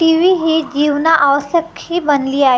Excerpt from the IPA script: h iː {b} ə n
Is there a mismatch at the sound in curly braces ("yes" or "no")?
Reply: no